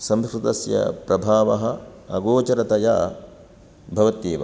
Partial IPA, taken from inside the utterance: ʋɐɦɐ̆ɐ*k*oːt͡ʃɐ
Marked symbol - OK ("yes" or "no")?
no